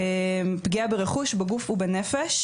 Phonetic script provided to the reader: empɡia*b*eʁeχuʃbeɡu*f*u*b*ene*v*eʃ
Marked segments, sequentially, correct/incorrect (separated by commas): correct, correct, correct, incorrect